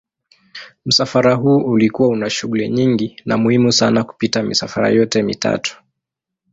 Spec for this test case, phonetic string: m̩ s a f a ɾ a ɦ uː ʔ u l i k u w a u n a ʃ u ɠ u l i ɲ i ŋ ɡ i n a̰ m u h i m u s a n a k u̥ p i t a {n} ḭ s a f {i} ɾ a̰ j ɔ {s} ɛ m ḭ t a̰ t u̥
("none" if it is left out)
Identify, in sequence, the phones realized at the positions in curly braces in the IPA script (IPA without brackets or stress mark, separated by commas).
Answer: m, a, t